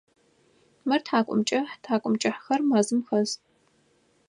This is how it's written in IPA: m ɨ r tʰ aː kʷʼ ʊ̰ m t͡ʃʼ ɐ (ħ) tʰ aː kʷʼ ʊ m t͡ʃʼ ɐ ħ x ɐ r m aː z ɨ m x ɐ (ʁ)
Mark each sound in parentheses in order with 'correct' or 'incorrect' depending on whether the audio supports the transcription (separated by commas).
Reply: correct, incorrect